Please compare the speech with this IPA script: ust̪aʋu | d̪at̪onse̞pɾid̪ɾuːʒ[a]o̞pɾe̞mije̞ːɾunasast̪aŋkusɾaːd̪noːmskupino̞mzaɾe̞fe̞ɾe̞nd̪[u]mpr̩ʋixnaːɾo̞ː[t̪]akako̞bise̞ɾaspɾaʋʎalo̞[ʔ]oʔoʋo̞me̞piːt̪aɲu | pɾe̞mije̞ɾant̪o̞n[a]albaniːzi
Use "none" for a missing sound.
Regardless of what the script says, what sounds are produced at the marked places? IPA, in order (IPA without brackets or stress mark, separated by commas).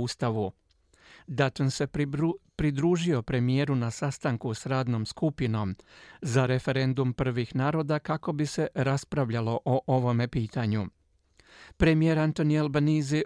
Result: i, u, d̪, ʔ, i